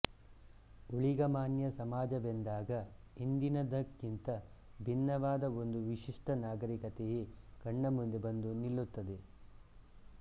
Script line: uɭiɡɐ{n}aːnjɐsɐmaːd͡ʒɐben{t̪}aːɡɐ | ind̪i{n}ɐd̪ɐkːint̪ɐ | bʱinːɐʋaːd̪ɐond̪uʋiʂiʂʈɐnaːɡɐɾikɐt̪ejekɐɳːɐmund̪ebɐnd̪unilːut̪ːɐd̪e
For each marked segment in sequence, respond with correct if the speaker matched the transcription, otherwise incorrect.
incorrect: m, incorrect: d̪, correct

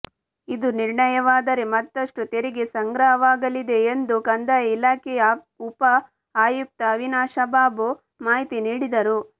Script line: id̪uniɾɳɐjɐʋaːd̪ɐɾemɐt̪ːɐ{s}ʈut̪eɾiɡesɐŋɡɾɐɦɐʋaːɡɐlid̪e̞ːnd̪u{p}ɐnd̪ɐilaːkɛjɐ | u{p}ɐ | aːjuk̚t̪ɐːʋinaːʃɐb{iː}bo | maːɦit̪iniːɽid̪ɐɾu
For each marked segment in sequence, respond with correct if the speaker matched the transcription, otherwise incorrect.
incorrect: ʂ, incorrect: k, correct, incorrect: aː

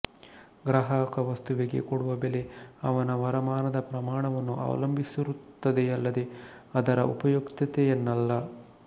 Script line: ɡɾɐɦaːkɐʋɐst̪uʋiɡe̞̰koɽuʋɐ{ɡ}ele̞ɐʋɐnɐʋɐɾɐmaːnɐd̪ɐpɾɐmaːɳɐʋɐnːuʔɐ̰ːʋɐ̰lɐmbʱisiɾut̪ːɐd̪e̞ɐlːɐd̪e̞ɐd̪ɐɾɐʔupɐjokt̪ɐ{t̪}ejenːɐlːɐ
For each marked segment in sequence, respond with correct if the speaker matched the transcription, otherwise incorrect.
incorrect: b, correct

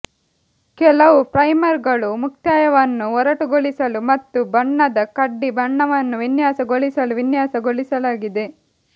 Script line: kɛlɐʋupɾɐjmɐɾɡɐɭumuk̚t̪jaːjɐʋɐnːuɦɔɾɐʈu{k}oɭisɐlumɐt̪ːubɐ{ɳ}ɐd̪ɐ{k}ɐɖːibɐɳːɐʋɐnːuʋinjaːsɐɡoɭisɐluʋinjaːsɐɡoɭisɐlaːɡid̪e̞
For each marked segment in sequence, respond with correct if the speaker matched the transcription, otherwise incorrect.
incorrect: ɡ, incorrect: ɳː, correct

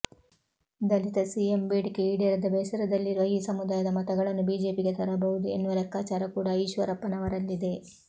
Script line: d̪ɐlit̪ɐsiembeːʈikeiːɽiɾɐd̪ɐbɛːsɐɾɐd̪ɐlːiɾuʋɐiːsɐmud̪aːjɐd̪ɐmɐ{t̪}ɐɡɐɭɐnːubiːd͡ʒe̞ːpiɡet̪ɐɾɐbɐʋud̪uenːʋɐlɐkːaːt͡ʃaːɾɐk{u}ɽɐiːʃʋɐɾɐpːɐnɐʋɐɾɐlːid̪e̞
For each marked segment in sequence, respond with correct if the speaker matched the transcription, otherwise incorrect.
correct, incorrect: uː

